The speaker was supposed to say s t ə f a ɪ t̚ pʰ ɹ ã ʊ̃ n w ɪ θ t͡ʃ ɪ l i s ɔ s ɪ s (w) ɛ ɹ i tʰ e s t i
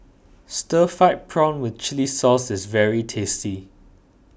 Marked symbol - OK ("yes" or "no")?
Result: no